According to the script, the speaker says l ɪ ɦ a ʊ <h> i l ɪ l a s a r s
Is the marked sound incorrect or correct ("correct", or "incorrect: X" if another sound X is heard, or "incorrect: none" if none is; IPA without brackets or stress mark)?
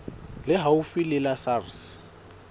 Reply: incorrect: f